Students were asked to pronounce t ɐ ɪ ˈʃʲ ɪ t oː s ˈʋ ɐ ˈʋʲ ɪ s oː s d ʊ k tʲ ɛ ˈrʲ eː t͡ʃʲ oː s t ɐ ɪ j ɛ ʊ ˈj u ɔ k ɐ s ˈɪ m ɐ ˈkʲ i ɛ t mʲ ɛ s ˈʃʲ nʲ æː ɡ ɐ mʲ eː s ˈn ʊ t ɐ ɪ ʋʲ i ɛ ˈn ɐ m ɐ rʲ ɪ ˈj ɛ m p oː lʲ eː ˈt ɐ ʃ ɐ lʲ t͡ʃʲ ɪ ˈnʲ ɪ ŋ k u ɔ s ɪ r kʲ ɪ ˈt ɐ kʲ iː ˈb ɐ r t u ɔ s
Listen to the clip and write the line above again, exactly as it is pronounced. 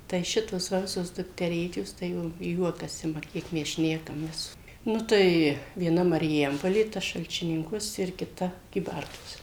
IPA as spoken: t ɐ ɪ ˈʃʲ ɪ t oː s ˈʋ ɐ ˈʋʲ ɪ s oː s d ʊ k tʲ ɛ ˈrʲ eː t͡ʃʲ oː s t ɐ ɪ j ɛ ʊ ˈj u ɔ k ɐ s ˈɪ m ɐ ˈkʲ i ɛ k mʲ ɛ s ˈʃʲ nʲ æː k ɐ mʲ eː s ˈn ʊ t ɐ ɪ ʋʲ i ɛ ˈn ɐ m ɐ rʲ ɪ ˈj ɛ m p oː lʲ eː ˈt ɐ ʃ ɐ lʲ t͡ʃʲ ɪ ˈnʲ ɪ ŋ k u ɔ s ɪ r kʲ ɪ ˈt ɐ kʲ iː ˈb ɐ r t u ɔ s